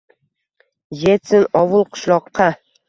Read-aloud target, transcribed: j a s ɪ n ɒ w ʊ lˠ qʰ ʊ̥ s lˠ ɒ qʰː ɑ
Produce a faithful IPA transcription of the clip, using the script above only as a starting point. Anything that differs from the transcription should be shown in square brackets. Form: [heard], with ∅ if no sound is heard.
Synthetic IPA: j [e] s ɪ n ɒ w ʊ lˠ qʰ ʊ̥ [ʃ] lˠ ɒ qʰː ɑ